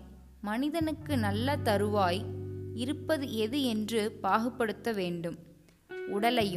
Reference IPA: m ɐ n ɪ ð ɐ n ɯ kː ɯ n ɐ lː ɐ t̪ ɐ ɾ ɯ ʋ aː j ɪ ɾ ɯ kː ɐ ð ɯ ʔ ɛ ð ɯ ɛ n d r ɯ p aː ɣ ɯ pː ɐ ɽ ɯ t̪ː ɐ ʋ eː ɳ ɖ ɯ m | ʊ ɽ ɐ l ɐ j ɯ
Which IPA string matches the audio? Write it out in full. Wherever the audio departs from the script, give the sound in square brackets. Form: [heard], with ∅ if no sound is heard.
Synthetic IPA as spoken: m ɐ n ɪ ð ɐ n ɯ kː ɯ n ɐ lː ɐ t̪ ɐ ɾ ɯ ʋ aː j ɪ ɾ ɯ [pː] ɐ ð ɯ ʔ ɛ ð ɯ ɛ n d r ɯ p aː ɣ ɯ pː ɐ ɽ ɯ t̪ː ɐ ʋ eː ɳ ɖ ɯ m | ʊ ɽ ɐ l ɐ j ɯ